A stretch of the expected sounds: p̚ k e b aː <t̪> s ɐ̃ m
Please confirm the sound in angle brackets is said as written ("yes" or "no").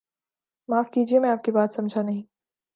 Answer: yes